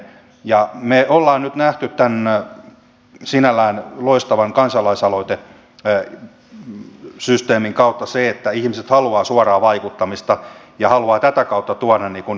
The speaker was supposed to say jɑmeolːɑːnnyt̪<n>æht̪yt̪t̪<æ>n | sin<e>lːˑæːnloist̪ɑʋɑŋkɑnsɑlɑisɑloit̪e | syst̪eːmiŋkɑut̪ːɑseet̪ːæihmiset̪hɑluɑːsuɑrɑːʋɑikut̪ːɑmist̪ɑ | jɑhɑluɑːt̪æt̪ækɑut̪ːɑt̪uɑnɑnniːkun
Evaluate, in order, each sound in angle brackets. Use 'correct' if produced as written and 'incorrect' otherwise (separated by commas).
correct, correct, incorrect